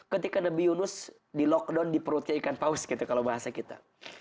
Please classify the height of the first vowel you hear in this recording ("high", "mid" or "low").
mid